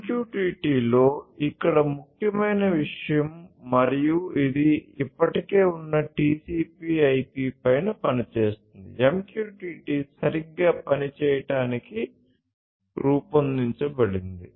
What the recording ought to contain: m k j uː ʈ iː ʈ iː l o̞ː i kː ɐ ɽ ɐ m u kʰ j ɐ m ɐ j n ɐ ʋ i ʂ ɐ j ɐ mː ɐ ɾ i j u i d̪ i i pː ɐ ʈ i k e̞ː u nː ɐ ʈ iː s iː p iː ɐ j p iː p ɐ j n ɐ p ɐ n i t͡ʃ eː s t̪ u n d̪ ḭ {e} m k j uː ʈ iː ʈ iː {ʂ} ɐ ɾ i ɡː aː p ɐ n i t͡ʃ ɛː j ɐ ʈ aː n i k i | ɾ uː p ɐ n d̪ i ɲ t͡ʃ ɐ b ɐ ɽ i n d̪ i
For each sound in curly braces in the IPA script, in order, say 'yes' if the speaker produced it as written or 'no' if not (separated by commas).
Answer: yes, no